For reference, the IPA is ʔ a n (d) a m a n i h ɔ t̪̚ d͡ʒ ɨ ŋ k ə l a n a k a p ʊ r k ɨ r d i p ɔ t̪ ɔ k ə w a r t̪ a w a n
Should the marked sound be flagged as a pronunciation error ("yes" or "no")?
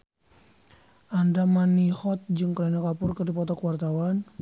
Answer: no